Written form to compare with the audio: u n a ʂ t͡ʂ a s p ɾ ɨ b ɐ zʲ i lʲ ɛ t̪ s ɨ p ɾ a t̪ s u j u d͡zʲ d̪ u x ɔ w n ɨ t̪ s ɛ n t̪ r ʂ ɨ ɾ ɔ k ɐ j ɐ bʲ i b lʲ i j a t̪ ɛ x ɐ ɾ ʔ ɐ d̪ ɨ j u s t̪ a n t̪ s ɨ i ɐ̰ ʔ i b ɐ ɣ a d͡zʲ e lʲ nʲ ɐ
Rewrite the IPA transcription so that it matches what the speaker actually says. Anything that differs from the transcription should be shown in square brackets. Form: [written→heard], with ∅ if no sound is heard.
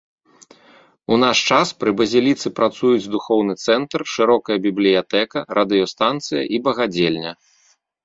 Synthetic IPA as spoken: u n a ʂ t͡ʂ a s p ɾ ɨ b ɐ zʲ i lʲ [ɛ→i] t̪ s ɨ p ɾ a t̪ s u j u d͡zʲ d̪ u x ɔ w n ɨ t̪ s ɛ n t̪ r ʂ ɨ ɾ ɔ k ɐ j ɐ bʲ i b lʲ i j a t̪ ɛ [x→k] ɐ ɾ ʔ ɐ d̪ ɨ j [u→ɔ] s t̪ a n t̪ s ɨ [i→j] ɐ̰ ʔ i b ɐ ɣ a d͡zʲ e lʲ nʲ ɐ